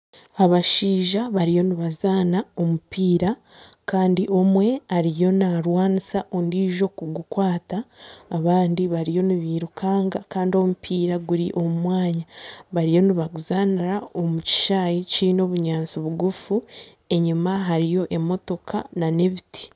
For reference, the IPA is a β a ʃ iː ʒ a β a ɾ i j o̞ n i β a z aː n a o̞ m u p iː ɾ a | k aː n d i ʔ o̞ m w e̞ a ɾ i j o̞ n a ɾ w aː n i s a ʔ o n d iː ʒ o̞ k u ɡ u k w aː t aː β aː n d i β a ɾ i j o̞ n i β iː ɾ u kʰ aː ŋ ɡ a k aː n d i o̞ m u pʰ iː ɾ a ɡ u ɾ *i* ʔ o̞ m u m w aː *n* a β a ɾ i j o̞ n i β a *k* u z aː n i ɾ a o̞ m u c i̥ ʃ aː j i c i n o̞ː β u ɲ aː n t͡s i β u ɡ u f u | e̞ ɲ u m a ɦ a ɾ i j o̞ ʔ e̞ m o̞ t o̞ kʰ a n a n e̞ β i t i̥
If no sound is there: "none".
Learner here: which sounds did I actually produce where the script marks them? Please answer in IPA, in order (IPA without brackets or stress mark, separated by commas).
i, ɲ, ɡ